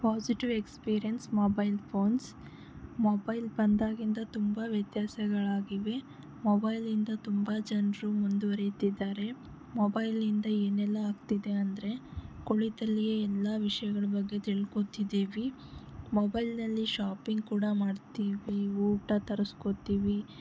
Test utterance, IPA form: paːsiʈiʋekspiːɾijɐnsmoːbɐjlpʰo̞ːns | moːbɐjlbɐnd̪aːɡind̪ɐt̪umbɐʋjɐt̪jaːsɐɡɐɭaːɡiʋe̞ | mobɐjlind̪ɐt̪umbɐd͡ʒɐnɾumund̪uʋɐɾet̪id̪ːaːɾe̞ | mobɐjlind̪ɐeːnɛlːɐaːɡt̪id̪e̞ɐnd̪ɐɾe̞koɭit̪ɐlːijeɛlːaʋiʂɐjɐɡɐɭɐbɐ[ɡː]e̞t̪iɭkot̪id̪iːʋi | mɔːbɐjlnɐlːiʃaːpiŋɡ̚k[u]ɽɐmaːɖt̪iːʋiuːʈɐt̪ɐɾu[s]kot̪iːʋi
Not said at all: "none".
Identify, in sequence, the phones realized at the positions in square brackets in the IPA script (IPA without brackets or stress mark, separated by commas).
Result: ɡː, uː, s